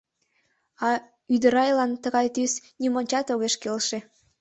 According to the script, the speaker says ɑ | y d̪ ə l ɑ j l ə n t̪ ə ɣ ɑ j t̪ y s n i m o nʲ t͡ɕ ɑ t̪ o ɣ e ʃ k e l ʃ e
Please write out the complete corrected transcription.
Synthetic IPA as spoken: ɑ | y d̪ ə ɾ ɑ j l ɑ n t̪ ə ɣ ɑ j t̪ y s n i m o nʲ t͡ɕ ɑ t̪ o ɣ e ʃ k e l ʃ e